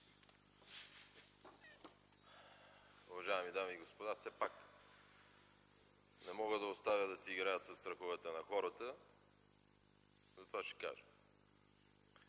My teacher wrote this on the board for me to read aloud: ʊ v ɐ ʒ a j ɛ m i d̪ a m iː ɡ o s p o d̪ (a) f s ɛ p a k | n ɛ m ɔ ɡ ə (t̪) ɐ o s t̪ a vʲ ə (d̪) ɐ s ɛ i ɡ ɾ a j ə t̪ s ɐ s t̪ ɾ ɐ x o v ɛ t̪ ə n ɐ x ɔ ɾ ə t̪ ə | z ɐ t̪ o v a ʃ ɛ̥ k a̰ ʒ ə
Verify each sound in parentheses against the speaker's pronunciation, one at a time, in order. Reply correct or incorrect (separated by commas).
correct, incorrect, correct